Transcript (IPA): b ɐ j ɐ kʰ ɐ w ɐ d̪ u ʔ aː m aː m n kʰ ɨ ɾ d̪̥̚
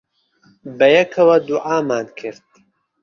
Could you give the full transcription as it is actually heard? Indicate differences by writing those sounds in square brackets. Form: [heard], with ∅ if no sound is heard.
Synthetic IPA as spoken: b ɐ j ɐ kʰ ɐ w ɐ d̪ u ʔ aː m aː [∅] n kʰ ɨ ɾ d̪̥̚